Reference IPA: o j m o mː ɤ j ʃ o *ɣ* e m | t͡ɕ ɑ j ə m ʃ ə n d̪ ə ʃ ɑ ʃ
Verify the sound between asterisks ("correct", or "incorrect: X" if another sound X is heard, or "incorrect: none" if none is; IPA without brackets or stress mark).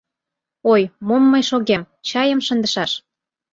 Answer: correct